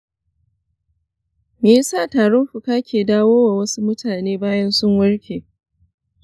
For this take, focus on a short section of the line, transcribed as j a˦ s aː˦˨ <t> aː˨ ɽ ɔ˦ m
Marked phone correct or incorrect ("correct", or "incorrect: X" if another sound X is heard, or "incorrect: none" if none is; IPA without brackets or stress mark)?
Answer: correct